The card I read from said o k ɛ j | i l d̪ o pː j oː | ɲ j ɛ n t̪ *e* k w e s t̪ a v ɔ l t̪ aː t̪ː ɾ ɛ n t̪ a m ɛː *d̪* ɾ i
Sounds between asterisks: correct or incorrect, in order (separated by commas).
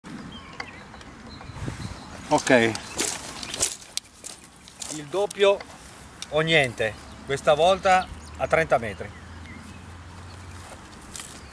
correct, incorrect